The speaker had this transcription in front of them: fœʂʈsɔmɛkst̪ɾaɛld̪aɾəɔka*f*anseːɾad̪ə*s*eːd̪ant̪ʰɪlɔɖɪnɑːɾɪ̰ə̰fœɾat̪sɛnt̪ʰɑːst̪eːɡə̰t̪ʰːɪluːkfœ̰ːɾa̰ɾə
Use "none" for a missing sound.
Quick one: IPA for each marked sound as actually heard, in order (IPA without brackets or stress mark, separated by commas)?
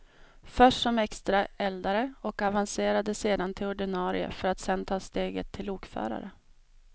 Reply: v, s